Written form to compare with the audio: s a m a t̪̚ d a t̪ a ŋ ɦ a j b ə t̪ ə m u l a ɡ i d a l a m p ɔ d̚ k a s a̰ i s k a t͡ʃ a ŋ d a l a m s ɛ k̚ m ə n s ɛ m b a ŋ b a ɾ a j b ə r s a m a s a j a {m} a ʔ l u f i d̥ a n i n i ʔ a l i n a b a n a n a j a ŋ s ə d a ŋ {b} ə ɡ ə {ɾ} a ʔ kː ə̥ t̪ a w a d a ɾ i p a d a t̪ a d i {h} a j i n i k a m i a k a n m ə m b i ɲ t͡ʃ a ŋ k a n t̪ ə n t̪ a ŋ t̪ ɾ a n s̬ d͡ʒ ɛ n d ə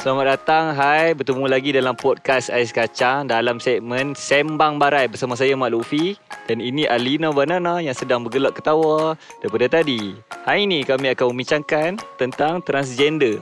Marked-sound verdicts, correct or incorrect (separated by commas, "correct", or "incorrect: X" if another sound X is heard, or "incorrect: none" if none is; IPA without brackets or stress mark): correct, correct, incorrect: l, correct